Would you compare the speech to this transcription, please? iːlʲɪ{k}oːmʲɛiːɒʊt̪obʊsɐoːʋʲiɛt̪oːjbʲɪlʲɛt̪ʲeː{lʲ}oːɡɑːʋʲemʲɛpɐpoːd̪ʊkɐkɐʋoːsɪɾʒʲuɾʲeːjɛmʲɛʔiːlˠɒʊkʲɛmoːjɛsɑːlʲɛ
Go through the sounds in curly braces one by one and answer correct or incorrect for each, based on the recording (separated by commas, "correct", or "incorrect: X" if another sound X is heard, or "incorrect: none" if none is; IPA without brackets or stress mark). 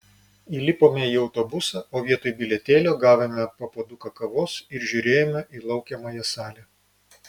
incorrect: p, correct